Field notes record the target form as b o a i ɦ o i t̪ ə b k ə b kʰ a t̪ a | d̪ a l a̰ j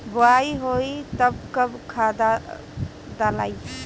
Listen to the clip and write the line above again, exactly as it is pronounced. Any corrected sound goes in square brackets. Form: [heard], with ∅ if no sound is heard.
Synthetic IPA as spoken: b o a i ɦ o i t̪ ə b k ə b kʰ a [d̪] a | d̪ a l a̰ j